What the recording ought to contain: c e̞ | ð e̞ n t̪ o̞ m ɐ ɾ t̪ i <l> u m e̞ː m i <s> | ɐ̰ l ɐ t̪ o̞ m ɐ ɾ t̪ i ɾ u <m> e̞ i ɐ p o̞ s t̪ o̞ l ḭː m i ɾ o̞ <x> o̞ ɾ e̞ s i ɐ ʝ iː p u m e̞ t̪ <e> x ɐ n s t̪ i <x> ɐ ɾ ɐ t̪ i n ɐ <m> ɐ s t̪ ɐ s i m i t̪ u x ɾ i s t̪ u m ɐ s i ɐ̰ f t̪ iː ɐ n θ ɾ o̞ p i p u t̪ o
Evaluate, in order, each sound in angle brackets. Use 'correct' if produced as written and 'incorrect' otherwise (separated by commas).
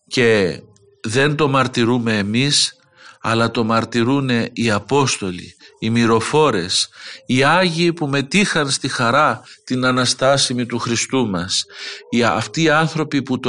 incorrect, correct, incorrect, incorrect, incorrect, correct, incorrect